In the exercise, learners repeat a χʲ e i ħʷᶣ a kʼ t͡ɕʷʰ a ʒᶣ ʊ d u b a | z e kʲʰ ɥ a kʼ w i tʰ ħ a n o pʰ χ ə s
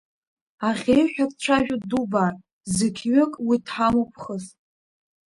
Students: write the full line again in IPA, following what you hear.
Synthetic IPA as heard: a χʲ e j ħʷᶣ a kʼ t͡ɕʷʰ a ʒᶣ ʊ d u b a | z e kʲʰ ɥ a kʼ w i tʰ ħ a m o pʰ χ ə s